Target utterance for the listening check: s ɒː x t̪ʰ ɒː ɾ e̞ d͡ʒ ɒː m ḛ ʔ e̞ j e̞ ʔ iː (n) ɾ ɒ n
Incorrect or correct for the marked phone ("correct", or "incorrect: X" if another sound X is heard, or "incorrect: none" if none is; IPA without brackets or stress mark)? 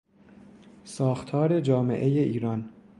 incorrect: none